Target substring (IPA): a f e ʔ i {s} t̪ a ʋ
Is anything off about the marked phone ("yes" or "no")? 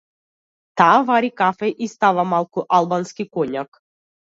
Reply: no